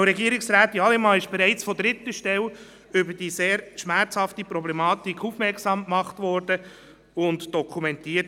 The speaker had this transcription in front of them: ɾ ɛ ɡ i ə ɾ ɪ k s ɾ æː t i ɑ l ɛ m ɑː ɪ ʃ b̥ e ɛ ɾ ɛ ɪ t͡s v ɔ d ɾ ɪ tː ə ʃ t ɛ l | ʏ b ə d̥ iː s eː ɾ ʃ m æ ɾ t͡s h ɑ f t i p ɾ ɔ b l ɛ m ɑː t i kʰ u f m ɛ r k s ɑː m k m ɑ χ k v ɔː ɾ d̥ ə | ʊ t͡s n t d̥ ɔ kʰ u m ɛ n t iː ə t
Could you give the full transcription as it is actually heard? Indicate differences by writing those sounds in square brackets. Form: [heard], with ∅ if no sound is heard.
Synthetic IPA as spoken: ɾ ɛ ɡ i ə ɾ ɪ k s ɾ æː t i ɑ l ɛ m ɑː ɪ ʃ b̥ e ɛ ɾ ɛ ɪ t͡s [f] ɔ d ɾ ɪ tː ə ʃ t ɛ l | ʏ b ə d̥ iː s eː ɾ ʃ m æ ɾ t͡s h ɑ f t i p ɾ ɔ b l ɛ m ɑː t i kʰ u f m ɛ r k s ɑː m k m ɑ χ [t] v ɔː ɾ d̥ ə | ʊ [∅] n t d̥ ɔ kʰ u m ɛ n t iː ə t